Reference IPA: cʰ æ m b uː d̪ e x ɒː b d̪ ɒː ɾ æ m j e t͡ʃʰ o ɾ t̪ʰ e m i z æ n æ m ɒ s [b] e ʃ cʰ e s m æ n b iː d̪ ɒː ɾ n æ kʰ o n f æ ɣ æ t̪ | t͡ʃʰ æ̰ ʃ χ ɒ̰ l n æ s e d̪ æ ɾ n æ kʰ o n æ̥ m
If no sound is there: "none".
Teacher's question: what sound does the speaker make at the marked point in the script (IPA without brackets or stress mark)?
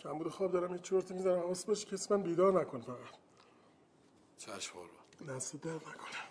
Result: b